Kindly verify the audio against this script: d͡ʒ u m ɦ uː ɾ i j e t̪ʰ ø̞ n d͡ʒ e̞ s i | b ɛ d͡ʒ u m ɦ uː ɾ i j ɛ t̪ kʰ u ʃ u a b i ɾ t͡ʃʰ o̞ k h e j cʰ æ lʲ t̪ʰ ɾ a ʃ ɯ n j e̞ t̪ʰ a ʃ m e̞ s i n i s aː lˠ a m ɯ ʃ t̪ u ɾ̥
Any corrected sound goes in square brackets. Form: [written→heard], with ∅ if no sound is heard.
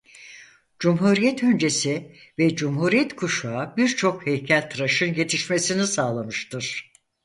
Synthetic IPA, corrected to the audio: d͡ʒ u m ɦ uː ɾ i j [e→ɛ] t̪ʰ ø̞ n d͡ʒ e̞ s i | [b→v] ɛ d͡ʒ u m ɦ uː ɾ i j ɛ t̪ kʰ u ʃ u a b i ɾ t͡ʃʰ o̞ k h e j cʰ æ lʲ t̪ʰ ɾ a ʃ ɯ n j e̞ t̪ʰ [a→i] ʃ m e̞ s i n i s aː lˠ a m ɯ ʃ t̪ [u→ɯ] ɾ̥